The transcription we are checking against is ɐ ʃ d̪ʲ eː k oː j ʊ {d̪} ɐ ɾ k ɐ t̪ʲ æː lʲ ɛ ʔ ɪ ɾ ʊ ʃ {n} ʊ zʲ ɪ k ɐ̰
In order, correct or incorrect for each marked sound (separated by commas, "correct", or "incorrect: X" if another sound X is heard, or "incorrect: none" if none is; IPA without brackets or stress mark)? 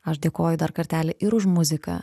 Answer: correct, incorrect: m